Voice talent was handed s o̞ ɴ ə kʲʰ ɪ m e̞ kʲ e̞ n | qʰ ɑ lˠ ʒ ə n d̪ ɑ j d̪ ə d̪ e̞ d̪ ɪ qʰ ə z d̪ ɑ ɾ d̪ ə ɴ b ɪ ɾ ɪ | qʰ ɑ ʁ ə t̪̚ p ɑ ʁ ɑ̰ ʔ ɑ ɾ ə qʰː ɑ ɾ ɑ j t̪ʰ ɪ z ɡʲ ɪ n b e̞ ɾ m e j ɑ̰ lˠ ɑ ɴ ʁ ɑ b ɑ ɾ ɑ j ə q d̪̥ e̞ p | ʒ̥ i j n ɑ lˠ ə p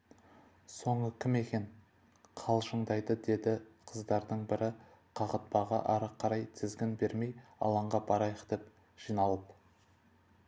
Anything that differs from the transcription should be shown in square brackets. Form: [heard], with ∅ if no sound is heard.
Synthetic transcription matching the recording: s o̞ ɴ ə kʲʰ ɪ m e̞ kʲ e̞ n | qʰ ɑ lˠ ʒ ə [ɴ] d̪ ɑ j d̪ ə d̪ e̞ d̪ ɪ qʰ ə z d̪ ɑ ɾ d̪ ə ɴ b ɪ ɾ ɪ | qʰ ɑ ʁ ə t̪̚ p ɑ ʁ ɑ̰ ʔ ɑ ɾ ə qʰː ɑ ɾ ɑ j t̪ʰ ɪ z ɡʲ ɪ n b e̞ ɾ m e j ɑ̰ lˠ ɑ ɴ ʁ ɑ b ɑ ɾ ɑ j ə q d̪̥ e̞ p | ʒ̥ i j n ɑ lˠ ə p